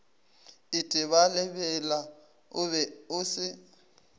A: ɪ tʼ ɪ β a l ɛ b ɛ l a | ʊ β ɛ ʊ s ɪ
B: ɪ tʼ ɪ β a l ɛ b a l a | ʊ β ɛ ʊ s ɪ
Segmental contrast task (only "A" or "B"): A